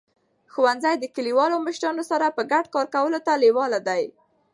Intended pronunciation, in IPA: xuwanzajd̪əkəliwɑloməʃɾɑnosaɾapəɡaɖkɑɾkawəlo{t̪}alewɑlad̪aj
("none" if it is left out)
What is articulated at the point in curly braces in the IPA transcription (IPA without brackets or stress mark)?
t̪